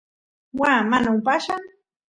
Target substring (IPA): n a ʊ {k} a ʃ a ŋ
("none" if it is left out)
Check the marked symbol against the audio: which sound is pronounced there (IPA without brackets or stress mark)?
p